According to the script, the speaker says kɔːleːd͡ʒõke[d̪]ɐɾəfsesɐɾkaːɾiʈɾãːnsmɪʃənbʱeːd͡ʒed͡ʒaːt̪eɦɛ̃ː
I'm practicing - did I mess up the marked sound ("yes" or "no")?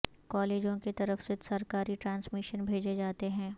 yes